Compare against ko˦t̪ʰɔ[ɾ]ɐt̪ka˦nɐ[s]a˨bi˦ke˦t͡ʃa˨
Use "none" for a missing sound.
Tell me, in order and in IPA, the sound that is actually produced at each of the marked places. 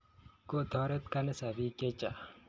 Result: ɾ, s

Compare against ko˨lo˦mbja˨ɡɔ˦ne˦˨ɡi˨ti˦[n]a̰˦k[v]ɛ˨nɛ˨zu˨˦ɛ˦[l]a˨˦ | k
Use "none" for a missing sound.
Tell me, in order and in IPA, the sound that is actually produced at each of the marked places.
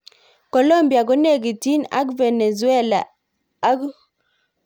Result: n, v, l

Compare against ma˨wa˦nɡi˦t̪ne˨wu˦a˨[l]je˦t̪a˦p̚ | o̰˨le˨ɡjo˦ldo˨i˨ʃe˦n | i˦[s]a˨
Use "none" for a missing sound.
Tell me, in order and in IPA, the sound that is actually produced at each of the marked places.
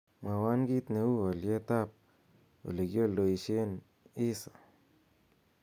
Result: l, s

